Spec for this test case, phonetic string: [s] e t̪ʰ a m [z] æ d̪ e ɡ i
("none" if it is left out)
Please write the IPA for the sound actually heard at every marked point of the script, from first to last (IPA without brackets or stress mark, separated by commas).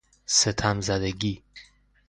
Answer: s, z